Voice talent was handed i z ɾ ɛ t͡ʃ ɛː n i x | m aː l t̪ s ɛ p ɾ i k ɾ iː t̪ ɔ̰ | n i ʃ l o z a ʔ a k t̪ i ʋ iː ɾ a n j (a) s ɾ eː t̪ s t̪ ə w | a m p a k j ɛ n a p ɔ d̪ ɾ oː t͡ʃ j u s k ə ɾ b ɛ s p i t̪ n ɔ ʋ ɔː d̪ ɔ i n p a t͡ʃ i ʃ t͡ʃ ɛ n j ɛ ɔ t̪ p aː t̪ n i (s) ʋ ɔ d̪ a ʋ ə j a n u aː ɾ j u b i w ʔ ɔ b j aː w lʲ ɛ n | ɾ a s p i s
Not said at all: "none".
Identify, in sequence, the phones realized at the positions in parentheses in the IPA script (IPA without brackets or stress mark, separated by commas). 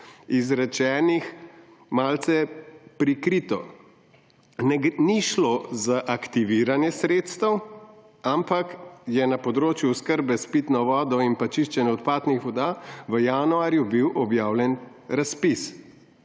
ɛ, x